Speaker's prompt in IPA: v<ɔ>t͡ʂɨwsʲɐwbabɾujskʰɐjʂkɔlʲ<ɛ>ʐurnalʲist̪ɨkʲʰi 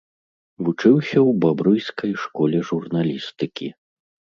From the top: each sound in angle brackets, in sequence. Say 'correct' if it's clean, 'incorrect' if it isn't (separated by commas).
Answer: incorrect, correct